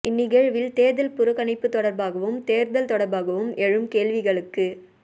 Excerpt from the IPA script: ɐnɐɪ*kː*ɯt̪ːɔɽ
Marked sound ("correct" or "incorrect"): incorrect